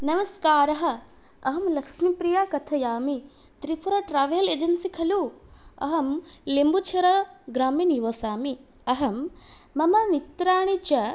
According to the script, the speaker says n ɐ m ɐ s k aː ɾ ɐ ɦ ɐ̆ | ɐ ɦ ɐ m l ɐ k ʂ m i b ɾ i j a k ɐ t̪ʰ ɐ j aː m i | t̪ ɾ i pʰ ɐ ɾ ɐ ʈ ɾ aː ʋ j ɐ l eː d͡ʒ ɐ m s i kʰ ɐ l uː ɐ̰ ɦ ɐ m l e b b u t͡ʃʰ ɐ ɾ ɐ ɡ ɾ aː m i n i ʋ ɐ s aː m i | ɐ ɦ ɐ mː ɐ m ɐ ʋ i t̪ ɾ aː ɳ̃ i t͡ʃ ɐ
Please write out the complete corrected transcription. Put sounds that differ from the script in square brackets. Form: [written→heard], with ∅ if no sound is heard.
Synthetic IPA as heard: n ɐ m ɐ s k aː ɾ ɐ ɦ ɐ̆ | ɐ ɦ ɐ m l ɐ k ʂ m i [b→p] ɾ i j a k ɐ t̪ʰ ɐ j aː m i | t̪ ɾ i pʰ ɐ ɾ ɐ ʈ ɾ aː ʋ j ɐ l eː d͡ʒ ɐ [m→n] s i kʰ ɐ l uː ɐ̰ ɦ ɐ m l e [b→m] b u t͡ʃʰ ɐ ɾ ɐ ɡ ɾ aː m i n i ʋ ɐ s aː m i | ɐ ɦ ɐ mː ɐ m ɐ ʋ i t̪ ɾ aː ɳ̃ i t͡ʃ ɐ